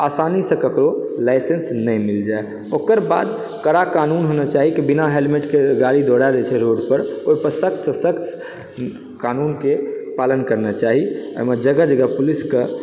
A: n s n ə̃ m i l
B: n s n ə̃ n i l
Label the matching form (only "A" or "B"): A